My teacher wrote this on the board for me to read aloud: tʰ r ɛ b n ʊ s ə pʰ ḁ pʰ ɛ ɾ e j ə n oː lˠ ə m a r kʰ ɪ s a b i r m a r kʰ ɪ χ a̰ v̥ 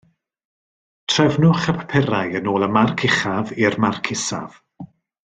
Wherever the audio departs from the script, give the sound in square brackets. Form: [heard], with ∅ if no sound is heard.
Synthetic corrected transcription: tʰ r ɛ [v] n ʊ [χ] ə pʰ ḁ pʰ ɛ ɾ [a] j ə n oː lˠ ə m a r kʰ ɪ [χ] a [v] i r m a r kʰ ɪ [s] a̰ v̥